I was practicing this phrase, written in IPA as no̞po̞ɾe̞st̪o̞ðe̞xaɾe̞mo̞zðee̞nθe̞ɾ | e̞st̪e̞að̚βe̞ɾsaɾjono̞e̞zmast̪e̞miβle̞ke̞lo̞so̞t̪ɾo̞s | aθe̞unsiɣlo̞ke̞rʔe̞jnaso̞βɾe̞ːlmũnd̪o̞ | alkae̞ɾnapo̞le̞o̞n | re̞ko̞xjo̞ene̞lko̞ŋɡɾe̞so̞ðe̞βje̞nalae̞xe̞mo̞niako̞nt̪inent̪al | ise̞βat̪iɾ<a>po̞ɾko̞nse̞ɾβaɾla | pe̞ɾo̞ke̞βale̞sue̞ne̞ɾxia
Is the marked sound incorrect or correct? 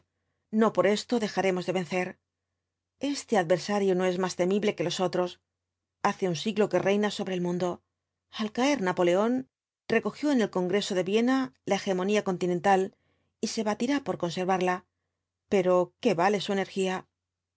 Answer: correct